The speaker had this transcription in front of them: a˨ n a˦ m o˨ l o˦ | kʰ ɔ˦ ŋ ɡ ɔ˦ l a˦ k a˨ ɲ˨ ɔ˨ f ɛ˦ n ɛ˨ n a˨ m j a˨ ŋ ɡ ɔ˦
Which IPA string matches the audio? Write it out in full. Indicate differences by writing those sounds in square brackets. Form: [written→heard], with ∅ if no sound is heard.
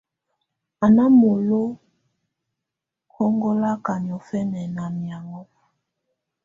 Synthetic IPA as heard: a˨ n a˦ m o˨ l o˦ | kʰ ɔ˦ ŋ ɡ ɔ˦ l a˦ k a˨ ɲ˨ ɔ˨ f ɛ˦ n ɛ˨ n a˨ m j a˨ ŋ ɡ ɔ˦